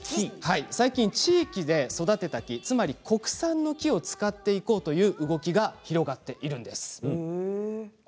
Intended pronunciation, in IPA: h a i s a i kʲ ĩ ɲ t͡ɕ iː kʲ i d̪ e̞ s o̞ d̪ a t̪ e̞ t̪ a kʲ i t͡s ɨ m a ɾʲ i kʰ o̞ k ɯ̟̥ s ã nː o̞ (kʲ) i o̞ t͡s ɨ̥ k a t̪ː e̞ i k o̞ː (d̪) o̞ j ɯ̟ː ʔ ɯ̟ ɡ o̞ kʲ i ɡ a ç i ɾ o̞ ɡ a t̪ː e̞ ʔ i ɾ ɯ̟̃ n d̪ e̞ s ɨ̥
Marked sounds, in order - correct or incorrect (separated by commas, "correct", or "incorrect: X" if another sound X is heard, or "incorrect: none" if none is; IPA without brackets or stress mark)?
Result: correct, incorrect: t̪